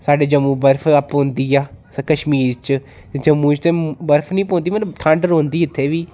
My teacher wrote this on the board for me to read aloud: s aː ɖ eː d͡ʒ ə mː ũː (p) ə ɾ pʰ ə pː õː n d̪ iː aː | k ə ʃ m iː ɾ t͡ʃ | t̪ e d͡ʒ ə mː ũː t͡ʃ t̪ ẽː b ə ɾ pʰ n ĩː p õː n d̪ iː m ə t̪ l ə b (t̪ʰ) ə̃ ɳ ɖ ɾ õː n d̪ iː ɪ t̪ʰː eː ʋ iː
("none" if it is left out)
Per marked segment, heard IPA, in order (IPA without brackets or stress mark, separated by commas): b, t̪ʰ